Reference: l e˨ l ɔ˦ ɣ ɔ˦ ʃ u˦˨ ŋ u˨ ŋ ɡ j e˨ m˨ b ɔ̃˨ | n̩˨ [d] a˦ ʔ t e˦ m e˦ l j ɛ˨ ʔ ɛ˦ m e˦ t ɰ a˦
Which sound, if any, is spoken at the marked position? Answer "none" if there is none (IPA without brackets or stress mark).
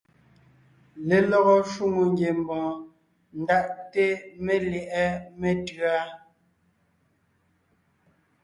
d